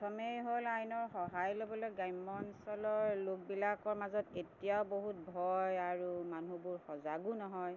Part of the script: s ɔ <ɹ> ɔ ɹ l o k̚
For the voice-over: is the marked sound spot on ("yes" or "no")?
no